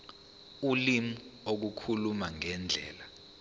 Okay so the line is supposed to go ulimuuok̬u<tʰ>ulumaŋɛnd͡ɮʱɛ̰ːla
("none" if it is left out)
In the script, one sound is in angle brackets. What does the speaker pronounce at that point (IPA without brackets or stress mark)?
kʰ